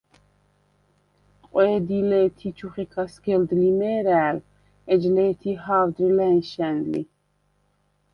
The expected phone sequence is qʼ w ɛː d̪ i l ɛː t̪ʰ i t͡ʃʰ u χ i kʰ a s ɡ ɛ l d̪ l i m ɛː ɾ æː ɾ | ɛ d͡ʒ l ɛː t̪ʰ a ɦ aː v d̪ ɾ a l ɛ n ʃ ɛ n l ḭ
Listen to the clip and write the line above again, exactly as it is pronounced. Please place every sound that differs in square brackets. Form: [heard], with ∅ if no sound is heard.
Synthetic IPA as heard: qʼ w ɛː d̪ i l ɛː t̪ʰ i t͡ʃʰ u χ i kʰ a s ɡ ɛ l d̪ l i m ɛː ɾ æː [l] | ɛ d͡ʒ l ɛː t̪ʰ [i] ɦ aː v d̪ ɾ [i] l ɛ n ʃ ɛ n l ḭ